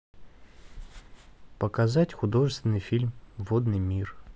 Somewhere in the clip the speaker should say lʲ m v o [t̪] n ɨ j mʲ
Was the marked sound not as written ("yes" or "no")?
yes